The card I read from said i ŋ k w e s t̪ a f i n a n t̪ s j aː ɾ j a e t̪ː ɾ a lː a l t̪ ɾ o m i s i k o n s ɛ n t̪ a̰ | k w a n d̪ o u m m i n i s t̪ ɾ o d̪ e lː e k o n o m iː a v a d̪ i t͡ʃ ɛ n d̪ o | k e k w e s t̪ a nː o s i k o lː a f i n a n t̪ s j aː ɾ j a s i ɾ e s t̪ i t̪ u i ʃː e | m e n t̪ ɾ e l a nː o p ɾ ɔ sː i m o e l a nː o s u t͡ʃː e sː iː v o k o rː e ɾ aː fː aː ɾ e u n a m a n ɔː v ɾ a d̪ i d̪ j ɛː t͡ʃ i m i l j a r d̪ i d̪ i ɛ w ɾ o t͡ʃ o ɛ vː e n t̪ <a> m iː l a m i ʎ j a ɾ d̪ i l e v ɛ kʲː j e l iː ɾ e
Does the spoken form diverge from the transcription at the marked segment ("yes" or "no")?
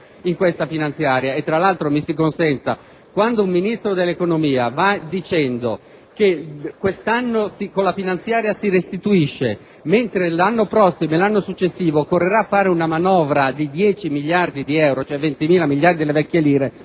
yes